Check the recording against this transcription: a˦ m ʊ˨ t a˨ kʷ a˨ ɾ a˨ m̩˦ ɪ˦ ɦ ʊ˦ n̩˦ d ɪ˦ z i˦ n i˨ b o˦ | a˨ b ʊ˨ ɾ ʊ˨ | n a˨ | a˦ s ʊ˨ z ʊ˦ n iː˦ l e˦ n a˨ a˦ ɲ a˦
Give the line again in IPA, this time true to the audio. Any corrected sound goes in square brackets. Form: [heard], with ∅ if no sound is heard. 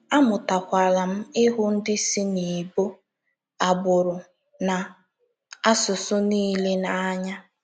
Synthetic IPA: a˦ m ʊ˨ t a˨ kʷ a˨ [l] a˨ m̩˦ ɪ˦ ɦ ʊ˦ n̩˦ d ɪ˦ [s] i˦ n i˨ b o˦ | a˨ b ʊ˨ ɾ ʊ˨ | n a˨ | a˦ s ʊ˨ [s] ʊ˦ n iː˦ l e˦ n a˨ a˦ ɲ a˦

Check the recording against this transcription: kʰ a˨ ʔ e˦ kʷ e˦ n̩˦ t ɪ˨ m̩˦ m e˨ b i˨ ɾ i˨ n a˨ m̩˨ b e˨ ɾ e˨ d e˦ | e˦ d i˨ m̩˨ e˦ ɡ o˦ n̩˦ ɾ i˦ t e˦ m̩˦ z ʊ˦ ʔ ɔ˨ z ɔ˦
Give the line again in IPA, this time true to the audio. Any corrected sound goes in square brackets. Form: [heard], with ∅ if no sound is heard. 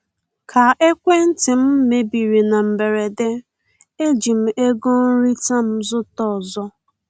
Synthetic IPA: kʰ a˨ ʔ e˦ kʷ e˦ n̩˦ t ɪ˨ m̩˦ m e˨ b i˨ ɾ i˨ n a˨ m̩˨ b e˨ ɾ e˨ d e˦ | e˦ [d͡ʒ] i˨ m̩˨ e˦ ɡ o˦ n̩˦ ɾ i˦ t [a˦] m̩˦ z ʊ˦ [t] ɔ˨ z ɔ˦

